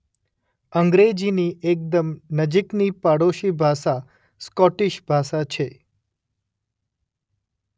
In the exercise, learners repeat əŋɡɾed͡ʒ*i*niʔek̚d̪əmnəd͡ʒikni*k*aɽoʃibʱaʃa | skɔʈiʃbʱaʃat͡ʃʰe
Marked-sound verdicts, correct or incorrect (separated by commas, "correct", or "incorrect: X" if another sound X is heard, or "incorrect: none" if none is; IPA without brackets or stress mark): correct, incorrect: p